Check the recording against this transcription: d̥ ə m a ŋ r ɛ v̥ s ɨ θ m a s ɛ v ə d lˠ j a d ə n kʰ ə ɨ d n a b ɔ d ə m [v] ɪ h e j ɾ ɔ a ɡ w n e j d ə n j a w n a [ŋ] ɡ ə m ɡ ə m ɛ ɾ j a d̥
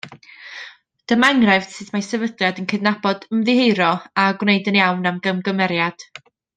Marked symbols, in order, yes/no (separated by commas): no, no